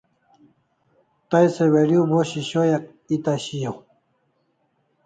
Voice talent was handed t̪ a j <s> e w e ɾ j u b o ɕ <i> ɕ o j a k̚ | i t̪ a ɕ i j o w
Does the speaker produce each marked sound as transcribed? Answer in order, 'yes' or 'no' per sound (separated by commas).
yes, yes